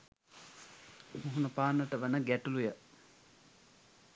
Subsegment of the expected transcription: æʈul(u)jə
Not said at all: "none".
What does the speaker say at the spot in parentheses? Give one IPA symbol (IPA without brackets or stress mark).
u